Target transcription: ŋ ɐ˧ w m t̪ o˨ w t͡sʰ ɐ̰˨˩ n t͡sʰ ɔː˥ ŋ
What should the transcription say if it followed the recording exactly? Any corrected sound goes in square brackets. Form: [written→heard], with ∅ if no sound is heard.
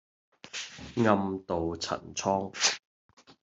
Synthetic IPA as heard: ŋ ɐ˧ [w→∅] m t̪ o˨ w t͡sʰ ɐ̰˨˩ n t͡sʰ ɔː˥ ŋ